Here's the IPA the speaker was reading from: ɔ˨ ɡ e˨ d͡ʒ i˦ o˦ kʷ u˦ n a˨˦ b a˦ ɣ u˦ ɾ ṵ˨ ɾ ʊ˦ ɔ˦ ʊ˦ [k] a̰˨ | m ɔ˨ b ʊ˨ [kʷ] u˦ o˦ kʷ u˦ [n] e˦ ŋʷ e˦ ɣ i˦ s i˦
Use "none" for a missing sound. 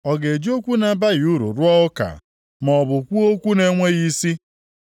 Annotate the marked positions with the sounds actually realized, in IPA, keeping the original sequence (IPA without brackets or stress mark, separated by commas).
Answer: k, kʷ, n